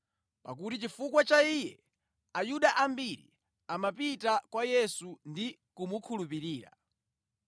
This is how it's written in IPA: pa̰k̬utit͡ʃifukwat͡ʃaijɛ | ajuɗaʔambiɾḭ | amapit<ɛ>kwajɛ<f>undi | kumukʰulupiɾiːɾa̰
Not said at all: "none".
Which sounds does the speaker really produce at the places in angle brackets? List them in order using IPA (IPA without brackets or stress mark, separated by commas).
a, s